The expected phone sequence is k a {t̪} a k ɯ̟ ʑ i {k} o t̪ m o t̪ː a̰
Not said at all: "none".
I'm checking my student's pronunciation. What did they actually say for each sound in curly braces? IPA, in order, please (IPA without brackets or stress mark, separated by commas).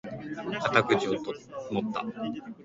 t̪, none